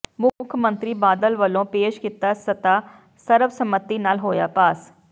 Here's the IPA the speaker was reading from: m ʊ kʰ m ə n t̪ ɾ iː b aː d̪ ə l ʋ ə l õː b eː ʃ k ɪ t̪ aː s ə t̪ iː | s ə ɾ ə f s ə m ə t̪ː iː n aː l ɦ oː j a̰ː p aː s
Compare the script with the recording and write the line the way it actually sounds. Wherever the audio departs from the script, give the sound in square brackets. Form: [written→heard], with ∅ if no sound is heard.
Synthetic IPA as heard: m ʊ kʰ m ə n t̪ ɾ iː b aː d̪ ə l ʋ ə l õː [b→p] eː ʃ k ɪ t̪ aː s ə t̪ [iː→aː] | s ə ɾ ə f s ə m ə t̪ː iː n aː l ɦ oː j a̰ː p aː s